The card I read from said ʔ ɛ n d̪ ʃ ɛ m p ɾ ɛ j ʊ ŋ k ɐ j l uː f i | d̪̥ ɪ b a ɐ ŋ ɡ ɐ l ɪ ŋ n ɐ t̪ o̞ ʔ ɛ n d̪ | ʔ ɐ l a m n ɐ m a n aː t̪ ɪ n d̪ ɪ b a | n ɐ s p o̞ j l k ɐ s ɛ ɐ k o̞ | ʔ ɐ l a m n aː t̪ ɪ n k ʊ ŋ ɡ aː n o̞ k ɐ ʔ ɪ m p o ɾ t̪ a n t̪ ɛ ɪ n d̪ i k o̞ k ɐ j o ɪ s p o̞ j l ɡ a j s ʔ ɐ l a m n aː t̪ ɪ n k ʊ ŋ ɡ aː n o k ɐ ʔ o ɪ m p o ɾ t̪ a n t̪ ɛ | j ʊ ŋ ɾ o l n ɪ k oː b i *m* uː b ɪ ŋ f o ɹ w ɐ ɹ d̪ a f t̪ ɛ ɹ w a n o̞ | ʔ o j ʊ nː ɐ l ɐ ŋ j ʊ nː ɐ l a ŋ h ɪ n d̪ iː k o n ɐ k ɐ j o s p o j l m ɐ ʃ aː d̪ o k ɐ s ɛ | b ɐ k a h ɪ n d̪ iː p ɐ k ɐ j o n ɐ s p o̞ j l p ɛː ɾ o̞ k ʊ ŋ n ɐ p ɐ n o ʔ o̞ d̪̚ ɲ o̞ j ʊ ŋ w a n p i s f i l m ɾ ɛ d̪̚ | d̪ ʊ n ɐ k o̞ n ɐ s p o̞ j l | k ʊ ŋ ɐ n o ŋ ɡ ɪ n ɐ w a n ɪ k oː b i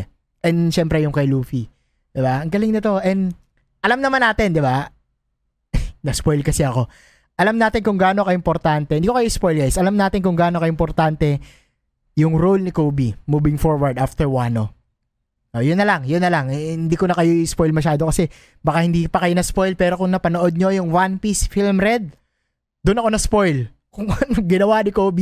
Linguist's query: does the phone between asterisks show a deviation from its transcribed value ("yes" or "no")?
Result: no